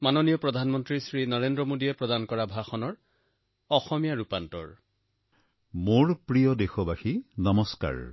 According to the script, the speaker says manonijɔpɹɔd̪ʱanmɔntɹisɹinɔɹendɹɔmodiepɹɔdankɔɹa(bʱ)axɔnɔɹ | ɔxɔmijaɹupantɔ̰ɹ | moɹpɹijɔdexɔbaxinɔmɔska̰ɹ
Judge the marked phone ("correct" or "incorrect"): correct